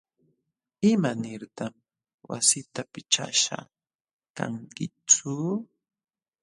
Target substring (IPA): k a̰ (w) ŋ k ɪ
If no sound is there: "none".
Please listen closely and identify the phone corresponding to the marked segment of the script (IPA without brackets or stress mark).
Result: none